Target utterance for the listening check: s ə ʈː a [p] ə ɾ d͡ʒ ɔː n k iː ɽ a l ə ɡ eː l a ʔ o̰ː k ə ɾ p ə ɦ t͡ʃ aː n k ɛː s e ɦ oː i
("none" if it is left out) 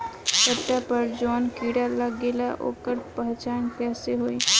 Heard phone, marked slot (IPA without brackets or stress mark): p